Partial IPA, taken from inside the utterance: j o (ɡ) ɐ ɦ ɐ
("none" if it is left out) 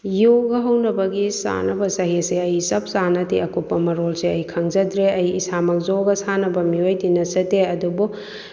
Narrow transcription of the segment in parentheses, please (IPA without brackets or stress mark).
ɡ